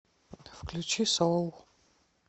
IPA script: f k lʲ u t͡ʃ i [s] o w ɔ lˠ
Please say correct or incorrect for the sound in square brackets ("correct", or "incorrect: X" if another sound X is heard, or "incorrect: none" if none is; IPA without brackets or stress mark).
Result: correct